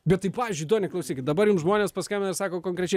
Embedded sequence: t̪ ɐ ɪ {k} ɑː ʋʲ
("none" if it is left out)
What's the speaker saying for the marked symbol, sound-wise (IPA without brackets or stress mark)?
p